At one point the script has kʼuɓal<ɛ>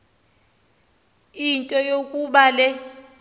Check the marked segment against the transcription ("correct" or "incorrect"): correct